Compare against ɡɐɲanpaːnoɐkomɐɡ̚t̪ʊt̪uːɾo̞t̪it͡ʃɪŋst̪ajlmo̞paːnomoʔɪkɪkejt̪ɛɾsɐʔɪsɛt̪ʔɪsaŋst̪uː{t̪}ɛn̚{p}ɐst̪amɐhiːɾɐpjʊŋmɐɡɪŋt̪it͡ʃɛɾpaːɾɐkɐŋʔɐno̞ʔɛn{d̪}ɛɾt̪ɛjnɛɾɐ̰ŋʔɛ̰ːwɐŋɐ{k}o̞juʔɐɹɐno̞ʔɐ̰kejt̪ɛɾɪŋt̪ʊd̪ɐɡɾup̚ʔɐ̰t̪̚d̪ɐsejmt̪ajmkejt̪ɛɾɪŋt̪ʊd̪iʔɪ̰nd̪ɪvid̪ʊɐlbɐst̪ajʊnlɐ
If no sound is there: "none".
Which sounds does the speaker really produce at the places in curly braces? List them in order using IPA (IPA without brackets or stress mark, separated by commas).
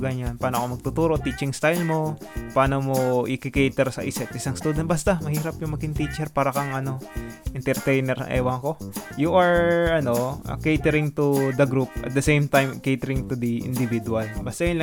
d̪, b, t̪, k